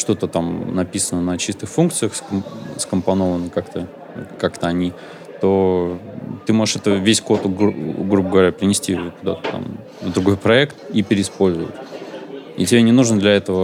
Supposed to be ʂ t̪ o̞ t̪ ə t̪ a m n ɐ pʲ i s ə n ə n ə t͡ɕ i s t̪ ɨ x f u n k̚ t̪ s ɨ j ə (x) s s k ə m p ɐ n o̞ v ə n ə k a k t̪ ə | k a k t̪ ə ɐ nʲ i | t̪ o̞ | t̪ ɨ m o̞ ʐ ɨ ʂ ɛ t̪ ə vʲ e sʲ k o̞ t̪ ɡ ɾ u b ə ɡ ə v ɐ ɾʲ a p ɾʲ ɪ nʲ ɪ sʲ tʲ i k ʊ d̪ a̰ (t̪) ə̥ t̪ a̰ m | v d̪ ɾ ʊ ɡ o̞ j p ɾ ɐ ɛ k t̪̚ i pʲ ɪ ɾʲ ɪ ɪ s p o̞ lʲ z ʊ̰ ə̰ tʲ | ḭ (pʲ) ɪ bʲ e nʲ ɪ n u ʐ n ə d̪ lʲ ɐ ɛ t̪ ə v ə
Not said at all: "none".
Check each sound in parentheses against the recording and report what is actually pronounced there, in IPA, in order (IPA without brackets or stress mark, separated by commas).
x, t̪, tʲ